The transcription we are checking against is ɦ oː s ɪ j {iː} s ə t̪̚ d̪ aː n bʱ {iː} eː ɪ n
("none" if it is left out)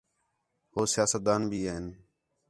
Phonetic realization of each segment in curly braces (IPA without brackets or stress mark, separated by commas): aː, iː